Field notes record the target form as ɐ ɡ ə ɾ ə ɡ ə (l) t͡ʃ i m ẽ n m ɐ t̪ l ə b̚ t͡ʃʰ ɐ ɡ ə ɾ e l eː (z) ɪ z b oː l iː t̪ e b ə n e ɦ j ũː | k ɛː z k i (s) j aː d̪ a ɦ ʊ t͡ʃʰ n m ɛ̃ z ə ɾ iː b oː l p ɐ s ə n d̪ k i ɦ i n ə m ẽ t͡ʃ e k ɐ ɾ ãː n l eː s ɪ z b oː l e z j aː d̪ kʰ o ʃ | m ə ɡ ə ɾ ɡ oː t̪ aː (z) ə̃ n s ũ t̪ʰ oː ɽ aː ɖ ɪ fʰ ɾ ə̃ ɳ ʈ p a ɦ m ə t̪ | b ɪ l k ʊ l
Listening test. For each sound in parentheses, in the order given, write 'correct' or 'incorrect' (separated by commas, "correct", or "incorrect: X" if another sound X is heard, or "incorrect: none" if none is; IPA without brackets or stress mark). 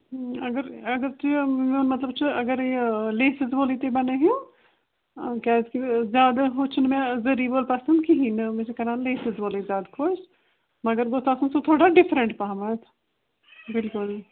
incorrect: ɾ, incorrect: s, incorrect: z, incorrect: s